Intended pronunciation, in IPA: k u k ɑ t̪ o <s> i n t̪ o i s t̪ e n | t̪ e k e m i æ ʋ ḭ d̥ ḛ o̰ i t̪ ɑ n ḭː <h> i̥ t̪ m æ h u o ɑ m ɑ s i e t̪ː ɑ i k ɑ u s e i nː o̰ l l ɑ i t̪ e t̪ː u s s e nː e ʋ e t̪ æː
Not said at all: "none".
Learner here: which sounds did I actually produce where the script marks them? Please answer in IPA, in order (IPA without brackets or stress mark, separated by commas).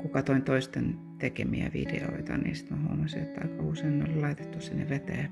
none, s